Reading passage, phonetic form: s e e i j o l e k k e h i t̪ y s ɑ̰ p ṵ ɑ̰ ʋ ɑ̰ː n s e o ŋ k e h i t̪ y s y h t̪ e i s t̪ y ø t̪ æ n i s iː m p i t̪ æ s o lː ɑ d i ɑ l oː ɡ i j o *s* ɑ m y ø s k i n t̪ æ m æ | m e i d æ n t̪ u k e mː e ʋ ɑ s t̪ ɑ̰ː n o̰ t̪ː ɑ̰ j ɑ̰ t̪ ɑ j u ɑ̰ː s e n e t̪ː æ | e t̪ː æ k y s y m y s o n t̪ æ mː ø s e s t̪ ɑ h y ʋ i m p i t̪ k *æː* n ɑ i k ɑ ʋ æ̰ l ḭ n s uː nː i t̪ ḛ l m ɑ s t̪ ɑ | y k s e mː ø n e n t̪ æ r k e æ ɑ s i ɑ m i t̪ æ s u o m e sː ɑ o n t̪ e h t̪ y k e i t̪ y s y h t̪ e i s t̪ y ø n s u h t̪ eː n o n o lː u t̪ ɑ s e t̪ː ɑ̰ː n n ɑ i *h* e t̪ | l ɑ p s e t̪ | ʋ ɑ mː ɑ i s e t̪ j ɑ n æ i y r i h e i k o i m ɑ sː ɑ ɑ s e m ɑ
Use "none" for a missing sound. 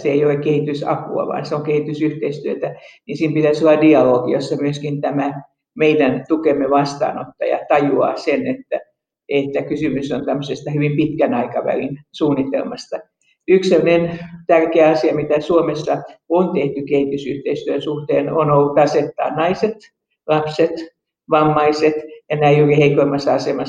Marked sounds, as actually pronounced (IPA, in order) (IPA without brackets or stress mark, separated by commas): sː, æ, s